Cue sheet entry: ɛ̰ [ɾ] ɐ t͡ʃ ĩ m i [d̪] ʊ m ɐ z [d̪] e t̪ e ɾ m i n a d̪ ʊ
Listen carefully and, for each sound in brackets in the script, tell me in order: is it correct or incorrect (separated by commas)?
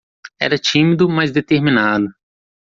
correct, correct, correct